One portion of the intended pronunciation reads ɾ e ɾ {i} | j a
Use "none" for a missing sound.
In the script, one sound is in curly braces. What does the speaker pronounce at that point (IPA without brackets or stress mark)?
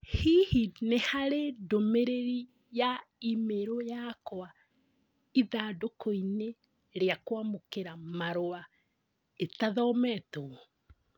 i